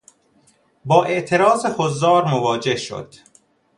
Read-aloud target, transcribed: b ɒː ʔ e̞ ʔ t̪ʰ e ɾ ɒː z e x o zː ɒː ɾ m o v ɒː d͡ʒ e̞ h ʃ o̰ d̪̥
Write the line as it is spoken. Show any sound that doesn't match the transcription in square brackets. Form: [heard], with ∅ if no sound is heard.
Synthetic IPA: b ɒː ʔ e̞ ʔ t̪ʰ e ɾ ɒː z e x o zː ɒː ɾ m o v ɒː d͡ʒ e̞ h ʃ o̰ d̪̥